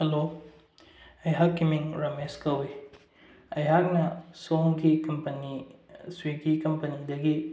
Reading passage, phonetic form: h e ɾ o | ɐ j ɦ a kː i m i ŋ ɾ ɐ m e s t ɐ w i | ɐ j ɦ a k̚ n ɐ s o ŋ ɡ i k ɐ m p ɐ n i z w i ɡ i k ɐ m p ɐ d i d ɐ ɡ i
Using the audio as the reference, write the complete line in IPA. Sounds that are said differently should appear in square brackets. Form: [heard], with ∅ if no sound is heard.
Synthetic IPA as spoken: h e [l] o | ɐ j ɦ a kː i m i ŋ ɾ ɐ m e s [k] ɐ w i | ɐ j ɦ a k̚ n ɐ s o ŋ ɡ i k ɐ m p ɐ n i [s] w i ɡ i k ɐ m p ɐ [n] i d ɐ ɡ i